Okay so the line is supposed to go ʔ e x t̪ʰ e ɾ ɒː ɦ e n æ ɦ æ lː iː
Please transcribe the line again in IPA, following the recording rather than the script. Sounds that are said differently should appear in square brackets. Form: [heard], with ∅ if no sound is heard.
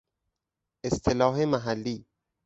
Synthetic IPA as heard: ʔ e [s] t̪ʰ e [l] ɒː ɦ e [m] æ ɦ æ lː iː